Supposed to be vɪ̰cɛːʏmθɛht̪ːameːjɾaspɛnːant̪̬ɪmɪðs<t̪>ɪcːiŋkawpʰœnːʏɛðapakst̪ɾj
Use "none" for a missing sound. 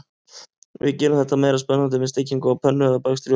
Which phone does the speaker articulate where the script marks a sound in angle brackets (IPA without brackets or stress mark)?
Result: t̪